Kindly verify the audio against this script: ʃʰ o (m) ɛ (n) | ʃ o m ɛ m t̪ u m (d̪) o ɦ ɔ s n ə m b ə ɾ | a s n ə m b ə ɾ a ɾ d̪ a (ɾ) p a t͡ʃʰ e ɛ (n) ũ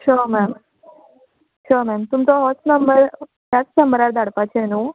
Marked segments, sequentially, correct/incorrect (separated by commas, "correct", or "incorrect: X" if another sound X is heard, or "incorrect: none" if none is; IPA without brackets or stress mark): correct, incorrect: m, incorrect: t̪, incorrect: ɽ, correct